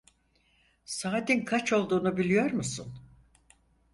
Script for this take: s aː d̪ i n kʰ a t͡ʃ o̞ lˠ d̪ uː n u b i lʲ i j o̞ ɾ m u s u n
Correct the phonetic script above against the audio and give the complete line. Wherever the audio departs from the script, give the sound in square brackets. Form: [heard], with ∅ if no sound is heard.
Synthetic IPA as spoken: s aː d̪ i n kʰ a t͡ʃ o̞ lˠ d̪ uː n u b i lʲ i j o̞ ɾ m u s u n